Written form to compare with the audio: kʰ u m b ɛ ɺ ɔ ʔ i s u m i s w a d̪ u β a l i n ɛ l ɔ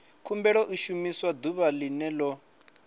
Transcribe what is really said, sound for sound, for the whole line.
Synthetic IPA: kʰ u m b ɛ ɺ ɔ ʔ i ʃ u m i s w a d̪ u β a l i n ɛ l ɔ